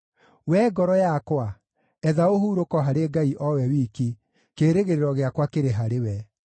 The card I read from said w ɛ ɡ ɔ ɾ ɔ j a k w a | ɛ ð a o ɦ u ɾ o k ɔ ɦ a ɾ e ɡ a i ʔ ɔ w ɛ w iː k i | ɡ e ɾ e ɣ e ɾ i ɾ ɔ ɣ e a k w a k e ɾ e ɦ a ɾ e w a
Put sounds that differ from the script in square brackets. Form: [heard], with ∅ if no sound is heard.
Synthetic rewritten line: w ɛ ɡ ɔ ɾ ɔ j a k w a | ɛ ð a o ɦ u ɾ o k ɔ ɦ a ɾ e ɡ a i ʔ ɔ w ɛ w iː k i | [k] e ɾ e ɣ e ɾ [e] ɾ ɔ ɣ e a k w a k e ɾ e ɦ a ɾ e w [ɛ]